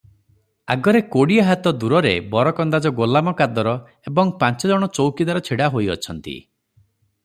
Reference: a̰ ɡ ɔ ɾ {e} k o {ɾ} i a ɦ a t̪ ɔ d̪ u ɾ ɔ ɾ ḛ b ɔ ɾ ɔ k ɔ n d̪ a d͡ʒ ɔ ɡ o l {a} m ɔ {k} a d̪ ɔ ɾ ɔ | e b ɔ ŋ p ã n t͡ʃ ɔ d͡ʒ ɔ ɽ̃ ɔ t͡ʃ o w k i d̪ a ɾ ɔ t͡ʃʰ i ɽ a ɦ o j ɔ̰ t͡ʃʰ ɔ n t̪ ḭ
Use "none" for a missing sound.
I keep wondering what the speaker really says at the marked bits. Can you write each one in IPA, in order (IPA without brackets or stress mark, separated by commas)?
e, ɽ, a, k